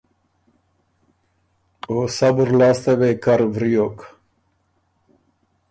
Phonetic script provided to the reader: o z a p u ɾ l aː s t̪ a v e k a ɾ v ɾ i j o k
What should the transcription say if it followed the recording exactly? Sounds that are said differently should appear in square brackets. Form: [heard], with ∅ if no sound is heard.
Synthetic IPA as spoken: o [s] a [b] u ɾ l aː s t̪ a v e k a ɾ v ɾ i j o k

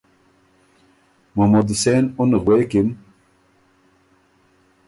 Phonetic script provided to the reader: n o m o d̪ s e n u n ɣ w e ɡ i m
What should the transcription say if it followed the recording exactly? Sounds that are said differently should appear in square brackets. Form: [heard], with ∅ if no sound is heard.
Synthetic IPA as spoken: [m] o m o d̪ s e n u n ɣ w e [k] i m

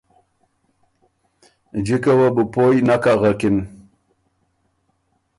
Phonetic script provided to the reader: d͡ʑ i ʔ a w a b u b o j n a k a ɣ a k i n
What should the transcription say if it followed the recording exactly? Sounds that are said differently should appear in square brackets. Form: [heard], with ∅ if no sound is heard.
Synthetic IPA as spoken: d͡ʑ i [k] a w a b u [p] o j n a k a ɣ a k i n

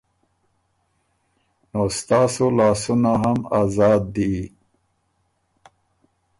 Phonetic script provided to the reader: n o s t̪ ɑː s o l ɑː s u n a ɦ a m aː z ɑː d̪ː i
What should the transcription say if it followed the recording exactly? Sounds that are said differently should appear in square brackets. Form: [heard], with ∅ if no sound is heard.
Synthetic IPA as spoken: n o s t̪ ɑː s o l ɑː s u n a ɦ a m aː z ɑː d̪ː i

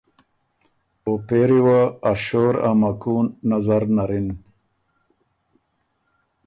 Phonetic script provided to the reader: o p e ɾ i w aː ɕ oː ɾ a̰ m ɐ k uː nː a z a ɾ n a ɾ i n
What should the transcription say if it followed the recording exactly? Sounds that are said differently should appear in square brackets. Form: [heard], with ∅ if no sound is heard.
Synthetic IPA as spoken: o p e ɾ i w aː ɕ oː ɾ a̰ m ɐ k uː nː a z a ɾ n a ɾ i n

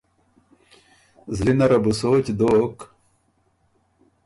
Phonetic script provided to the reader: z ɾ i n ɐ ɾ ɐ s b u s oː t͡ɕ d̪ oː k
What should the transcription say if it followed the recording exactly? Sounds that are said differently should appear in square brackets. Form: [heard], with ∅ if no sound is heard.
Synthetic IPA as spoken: z [l] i n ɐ ɾ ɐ [∅] b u s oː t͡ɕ d̪ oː k

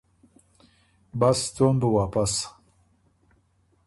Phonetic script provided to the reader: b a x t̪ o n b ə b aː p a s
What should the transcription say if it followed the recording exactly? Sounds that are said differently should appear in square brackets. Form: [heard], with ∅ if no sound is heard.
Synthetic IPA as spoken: b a [s] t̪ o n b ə [w] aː p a s

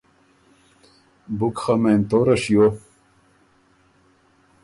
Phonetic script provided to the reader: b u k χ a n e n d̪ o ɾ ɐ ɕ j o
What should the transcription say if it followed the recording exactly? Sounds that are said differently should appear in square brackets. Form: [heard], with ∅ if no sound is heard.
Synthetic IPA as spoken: b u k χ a [m] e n [t̪] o ɾ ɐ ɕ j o

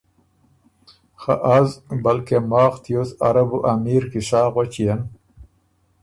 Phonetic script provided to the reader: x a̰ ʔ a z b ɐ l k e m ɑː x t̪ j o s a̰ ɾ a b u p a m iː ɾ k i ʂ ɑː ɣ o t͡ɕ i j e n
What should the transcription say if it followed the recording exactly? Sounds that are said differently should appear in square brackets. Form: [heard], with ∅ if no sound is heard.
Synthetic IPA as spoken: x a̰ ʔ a z b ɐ l k e m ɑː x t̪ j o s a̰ ɾ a b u [ʔ] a m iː ɾ k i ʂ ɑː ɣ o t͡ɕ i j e n

